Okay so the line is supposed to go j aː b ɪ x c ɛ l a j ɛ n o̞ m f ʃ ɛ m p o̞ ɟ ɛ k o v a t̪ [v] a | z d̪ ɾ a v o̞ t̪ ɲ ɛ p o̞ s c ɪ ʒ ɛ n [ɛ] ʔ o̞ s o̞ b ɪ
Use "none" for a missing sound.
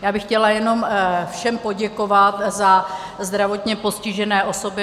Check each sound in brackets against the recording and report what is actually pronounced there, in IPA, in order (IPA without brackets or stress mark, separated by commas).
z, ɛː